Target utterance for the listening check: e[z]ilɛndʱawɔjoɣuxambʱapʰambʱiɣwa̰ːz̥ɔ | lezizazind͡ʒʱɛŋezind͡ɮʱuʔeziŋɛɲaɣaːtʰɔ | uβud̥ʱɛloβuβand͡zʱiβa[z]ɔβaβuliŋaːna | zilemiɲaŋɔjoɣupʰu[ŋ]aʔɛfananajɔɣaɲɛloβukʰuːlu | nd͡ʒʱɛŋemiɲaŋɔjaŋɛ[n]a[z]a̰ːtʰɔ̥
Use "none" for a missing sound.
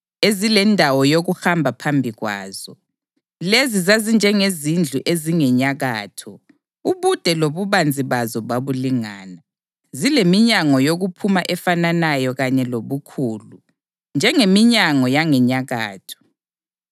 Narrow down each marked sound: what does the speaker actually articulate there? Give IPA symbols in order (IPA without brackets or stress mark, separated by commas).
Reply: z, z, m, ɲ, ɣ